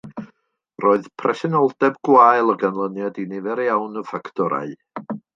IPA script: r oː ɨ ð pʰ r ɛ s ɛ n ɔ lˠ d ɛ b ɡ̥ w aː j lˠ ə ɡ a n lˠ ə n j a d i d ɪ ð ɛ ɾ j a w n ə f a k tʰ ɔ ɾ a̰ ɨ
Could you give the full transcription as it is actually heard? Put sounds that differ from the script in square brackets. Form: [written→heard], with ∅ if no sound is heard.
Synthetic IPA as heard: r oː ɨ ð pʰ r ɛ s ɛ n ɔ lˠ d ɛ b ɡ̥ w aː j lˠ ə ɡ a n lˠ ə n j a d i [d→n] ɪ [ð→v] ɛ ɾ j a w n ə f a k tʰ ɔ ɾ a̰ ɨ